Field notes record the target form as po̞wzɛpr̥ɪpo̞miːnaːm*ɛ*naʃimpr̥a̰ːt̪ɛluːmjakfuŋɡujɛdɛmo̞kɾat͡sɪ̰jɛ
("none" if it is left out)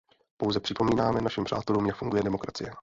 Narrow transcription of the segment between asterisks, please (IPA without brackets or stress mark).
ɛ